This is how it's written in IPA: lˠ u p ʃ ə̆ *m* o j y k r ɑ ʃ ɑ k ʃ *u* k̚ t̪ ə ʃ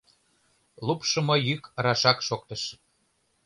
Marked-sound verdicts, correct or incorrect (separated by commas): correct, incorrect